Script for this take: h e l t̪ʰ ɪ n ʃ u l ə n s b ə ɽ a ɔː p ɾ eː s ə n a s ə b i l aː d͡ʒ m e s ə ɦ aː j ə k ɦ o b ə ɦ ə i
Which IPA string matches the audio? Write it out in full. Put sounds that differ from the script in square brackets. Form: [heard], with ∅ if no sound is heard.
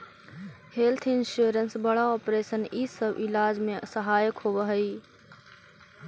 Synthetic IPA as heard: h e l t̪ʰ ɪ n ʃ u [ɾ] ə n s b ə ɽ a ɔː p ɾ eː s ə n [i] s ə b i l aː d͡ʒ m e s ə ɦ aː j ə k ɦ o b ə ɦ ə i